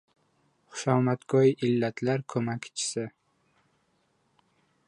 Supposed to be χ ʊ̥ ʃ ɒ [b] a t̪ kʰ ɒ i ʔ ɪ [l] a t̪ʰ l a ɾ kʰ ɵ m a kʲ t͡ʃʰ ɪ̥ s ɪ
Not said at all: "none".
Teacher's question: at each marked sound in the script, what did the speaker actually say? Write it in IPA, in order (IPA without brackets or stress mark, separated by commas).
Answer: m, lː